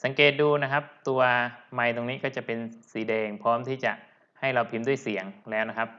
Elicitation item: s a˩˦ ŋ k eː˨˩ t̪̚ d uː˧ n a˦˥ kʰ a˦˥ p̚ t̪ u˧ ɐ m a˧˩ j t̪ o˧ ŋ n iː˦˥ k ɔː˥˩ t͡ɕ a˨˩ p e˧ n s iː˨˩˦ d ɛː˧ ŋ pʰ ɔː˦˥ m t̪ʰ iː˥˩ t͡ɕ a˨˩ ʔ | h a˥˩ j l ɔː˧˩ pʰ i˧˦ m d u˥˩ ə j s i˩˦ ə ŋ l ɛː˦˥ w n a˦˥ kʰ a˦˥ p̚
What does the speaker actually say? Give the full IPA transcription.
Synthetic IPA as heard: s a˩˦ ŋ k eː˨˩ t̪̚ d uː˧ n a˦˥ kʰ a˦˥ p̚ t̪ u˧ ɐ m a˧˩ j t̪ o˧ ŋ n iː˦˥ k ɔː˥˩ t͡ɕ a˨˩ p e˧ n s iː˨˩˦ d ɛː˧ ŋ pʰ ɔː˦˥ m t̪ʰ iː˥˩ t͡ɕ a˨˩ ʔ | h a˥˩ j l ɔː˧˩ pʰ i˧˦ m d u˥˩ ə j s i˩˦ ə ŋ l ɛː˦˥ w n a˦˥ kʰ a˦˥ p̚

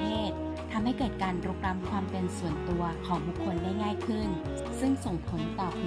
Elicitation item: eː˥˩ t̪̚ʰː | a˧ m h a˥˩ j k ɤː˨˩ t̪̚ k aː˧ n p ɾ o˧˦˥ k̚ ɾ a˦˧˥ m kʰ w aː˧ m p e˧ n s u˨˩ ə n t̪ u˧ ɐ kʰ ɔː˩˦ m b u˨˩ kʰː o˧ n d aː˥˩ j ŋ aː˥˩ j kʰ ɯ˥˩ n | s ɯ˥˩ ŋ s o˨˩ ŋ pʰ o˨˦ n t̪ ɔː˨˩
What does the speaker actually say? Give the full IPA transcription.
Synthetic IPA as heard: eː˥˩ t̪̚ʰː | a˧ m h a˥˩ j k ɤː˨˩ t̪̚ k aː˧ n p ɾ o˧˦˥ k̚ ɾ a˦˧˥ m kʰ w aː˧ m p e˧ n s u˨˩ ə n t̪ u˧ ɐ kʰ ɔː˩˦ ŋ b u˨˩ kʰː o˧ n d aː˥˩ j ŋ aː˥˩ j kʰ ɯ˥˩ n | s ɯ˥˩ ŋ s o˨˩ ŋ pʰ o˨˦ n t̪ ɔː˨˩

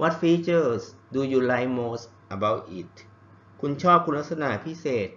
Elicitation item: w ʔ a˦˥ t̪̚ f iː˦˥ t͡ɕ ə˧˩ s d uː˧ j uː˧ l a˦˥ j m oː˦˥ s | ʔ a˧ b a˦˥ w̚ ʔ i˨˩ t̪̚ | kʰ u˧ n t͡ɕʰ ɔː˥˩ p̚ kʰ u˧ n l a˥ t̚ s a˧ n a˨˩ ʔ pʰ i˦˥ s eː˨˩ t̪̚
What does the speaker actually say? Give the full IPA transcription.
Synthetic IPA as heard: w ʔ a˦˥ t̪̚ f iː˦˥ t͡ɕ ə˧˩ s d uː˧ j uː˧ l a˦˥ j m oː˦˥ s | ʔ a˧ b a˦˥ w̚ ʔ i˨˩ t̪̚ | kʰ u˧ n t͡ɕʰ ɔː˥˩ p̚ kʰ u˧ n l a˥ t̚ s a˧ n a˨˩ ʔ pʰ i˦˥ s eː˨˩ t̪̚

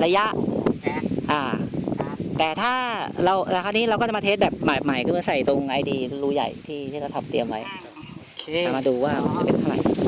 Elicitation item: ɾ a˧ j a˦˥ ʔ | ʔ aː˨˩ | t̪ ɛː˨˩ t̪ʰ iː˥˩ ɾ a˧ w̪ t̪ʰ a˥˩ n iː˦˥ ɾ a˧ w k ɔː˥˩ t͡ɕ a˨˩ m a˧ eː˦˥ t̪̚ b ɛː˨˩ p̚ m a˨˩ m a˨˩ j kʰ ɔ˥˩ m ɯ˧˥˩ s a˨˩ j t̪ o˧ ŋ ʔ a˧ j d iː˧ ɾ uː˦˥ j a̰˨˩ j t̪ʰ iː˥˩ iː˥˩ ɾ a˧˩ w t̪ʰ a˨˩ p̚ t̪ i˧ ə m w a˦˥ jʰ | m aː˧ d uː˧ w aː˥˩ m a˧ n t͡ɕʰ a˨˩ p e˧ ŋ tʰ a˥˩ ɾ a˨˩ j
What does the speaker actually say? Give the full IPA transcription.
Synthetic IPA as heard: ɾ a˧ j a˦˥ ʔ | ʔ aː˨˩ | t̪ ɛː˨˩ t̪ʰ aː˥˩ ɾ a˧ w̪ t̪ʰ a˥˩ n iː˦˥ ɾ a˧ w k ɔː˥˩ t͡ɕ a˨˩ m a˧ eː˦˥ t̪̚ b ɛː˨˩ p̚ m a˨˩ m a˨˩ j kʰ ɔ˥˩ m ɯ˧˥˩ s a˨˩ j t̪ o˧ ŋ ʔ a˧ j d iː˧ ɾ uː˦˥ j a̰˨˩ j t̪ʰ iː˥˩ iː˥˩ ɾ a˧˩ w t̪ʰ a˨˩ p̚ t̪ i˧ ə m w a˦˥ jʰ | m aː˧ d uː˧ w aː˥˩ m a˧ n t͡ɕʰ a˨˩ p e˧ n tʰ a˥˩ ɾ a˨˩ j

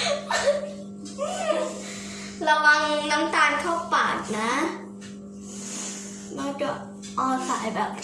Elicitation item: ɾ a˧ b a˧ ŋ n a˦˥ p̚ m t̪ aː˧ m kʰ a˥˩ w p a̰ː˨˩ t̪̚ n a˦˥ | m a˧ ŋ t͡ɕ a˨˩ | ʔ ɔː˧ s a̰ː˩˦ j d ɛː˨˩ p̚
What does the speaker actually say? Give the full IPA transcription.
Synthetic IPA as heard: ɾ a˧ w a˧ ŋ n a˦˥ m t̪ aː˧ n kʰ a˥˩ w p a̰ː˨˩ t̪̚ n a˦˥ | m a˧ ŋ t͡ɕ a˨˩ | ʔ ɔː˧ s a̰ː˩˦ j b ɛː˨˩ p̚

